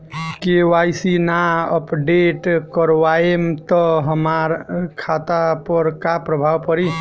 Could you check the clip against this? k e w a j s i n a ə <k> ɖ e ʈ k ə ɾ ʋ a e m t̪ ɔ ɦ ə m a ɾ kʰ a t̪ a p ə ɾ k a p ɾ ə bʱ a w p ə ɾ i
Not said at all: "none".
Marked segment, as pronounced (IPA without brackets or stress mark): p